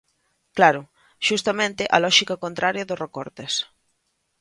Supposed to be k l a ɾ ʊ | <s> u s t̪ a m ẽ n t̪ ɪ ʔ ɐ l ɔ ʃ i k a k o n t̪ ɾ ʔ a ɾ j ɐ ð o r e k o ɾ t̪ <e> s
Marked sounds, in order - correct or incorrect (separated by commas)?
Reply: incorrect, correct